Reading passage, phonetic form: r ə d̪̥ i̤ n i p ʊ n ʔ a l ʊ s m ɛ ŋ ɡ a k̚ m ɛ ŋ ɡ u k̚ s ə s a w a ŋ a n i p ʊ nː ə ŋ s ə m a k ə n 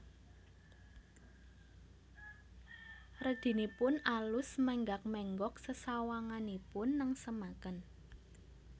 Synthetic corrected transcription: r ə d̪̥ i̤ n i p ʊ n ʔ a l ʊ s m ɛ ŋ ɡ a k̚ m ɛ ŋ ɡ ɔ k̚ s ə s a w a ŋ a n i p ʊ nː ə ŋ s ə m a k ə n

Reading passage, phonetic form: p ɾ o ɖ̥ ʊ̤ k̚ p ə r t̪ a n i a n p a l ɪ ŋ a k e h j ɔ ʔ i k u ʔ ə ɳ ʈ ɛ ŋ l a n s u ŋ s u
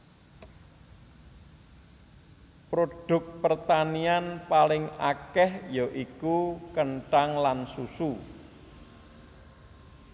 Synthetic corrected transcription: p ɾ o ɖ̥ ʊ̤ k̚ p ə r t̪ a n i a n p a l ɪ ŋ a k ɛ h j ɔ ʔ i k u k ə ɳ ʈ a ŋ l a n s u s u

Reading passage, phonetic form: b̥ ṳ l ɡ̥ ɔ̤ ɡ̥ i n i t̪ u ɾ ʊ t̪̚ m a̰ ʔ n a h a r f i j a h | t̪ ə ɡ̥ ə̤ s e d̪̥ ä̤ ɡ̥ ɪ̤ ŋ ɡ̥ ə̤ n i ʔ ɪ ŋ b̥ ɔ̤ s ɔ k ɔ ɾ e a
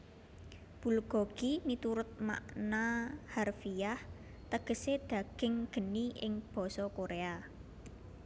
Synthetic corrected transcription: b̥ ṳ l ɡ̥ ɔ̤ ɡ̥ i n i t̪ u ɾ ʊ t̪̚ m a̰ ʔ n a h a r f i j a h | t̪ ə ɡ̥ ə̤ s e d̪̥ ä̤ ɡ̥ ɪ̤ ŋ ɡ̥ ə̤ n i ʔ ɪ ŋ b̥ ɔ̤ s ɔ k o ɾ e a

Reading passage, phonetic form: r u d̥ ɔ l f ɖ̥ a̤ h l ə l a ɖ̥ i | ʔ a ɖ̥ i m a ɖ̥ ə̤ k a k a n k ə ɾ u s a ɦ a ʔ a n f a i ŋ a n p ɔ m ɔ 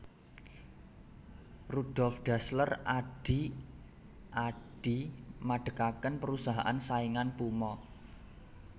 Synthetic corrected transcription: r u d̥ ɔ l f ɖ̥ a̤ s l ə r a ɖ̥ i | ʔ a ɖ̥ i m a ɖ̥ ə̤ k a k ə n p ə ɾ u s a ɦ a ʔ a n s a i ŋ a n p u m ɔ

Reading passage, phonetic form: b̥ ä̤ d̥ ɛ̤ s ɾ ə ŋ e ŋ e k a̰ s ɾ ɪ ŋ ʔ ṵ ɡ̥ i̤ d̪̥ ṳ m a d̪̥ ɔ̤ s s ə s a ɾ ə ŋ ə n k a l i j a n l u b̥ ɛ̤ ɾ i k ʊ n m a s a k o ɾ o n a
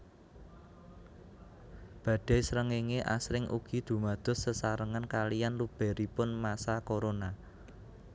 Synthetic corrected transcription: b̥ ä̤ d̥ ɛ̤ s ɾ ə ŋ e ŋ e ʔ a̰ s ɾ ɪ ŋ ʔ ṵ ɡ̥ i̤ d̪̥ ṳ m a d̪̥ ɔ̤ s s ə s a ɾ ə ŋ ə n k a l i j a n l u b̥ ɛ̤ ɾ i p ʊ n m a s a k o ɾ o n a

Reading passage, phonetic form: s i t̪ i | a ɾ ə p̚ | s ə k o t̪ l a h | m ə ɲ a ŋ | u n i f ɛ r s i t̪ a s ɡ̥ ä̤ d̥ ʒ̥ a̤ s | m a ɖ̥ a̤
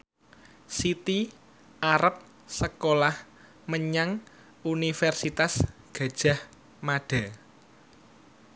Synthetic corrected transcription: s i t̪ i | a ɾ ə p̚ | s ə k o l a h | m ə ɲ a ŋ | u n i f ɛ r s i t̪ a s ɡ̥ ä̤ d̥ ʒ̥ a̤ h | m a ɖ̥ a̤

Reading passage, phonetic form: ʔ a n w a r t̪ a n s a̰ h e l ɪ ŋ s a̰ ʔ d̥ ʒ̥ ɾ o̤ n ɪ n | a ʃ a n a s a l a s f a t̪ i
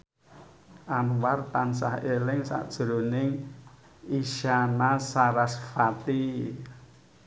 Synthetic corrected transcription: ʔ a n w a r t̪ a n s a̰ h e l ɪ ŋ s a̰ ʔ d̥ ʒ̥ ɾ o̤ n ɪ ŋ | i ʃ a n a s a ɾ a s f a t̪ i

